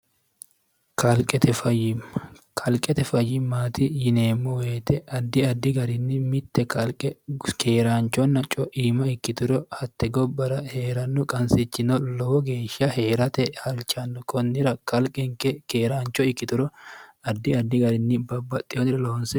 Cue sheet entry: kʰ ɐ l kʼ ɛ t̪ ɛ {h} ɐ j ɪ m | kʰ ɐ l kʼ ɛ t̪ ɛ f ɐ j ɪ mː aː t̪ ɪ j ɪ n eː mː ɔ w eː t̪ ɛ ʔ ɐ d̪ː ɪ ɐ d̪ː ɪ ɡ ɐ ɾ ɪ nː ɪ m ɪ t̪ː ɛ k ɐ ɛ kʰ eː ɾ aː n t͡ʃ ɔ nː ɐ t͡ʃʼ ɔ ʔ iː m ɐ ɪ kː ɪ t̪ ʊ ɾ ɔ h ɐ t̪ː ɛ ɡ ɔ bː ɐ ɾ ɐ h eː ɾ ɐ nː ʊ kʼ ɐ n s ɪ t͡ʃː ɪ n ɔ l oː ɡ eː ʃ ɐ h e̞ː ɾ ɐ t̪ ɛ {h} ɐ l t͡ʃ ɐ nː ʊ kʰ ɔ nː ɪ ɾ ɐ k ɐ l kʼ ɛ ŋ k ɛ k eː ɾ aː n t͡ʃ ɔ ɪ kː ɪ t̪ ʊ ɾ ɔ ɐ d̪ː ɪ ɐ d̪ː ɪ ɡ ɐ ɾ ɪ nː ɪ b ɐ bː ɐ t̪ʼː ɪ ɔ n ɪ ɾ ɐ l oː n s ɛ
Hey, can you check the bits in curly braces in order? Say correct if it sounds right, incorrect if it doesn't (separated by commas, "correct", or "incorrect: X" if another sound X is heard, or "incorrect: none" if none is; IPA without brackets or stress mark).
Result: incorrect: f, correct